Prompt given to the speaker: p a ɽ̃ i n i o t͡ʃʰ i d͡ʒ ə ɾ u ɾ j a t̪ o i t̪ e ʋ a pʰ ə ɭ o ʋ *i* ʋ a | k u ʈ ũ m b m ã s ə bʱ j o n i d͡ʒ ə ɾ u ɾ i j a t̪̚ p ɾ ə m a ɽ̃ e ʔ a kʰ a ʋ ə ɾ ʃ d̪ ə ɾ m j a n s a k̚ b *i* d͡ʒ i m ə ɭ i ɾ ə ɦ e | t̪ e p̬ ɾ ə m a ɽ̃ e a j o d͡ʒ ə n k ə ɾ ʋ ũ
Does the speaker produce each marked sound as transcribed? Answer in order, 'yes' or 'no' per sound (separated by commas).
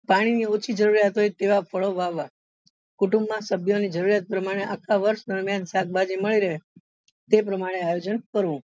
no, no